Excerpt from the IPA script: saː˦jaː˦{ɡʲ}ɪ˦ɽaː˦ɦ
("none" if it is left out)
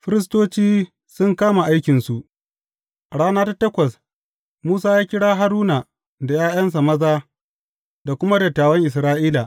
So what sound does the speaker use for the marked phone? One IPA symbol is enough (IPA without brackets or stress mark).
kʲ